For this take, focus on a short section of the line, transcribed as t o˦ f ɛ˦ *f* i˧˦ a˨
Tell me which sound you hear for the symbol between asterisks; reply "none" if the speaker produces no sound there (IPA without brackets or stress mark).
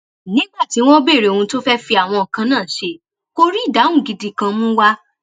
f